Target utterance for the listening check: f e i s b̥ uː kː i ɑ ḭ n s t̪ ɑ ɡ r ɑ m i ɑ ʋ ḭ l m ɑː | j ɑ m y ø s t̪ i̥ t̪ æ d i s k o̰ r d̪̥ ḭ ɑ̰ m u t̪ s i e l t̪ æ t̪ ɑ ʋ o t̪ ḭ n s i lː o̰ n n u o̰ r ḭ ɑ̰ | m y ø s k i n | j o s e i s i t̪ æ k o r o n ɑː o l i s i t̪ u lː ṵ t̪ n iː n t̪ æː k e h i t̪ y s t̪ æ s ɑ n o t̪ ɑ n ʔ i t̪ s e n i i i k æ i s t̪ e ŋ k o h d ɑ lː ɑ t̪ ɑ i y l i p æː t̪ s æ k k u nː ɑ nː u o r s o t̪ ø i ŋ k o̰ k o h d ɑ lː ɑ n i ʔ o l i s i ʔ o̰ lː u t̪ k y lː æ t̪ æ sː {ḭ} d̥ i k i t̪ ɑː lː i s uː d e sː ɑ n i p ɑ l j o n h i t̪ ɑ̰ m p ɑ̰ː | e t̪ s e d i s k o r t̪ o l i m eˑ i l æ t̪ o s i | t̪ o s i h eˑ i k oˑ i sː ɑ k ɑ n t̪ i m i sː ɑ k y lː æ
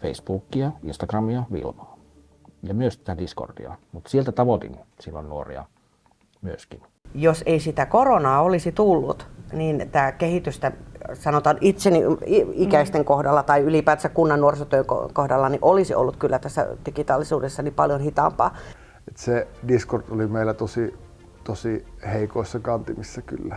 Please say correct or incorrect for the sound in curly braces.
incorrect